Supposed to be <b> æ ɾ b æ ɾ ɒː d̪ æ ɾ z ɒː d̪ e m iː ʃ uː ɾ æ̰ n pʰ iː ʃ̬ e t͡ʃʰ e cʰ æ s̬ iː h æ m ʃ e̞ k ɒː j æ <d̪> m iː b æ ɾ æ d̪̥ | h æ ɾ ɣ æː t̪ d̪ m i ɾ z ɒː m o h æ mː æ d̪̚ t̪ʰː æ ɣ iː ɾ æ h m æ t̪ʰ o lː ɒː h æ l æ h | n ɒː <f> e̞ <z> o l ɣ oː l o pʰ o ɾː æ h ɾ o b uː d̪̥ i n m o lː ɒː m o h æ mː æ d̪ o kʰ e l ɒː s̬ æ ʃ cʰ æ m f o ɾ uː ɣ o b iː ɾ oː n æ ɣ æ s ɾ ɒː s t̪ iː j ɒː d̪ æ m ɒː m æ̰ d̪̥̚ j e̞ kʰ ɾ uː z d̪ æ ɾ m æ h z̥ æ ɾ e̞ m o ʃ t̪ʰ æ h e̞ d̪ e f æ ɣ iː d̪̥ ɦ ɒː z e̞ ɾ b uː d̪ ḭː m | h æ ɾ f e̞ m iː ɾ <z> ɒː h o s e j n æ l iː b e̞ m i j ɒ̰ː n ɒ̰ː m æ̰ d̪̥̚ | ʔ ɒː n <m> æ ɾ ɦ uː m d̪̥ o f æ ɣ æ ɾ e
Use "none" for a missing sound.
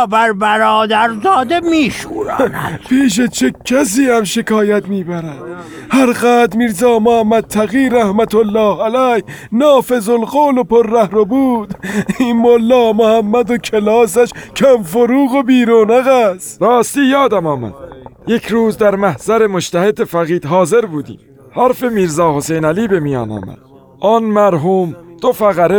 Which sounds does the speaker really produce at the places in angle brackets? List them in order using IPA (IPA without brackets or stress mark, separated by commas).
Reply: b, t̪, f, z, z, m